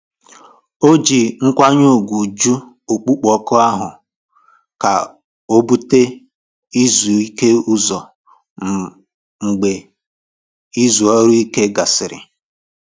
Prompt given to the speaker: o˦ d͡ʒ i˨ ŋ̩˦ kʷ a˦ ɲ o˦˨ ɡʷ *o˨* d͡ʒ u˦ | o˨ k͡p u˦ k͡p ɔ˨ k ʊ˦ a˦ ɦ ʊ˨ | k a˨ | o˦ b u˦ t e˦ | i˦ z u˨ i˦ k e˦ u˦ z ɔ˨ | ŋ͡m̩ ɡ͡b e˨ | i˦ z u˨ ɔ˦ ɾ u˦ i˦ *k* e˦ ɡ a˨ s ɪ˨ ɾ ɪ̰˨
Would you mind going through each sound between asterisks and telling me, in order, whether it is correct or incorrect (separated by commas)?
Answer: incorrect, correct